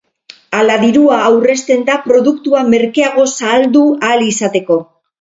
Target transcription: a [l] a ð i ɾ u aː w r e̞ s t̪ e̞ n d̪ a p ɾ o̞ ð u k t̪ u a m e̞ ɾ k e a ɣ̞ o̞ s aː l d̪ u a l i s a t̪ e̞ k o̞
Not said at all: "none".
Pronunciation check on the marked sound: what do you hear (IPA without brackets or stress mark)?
l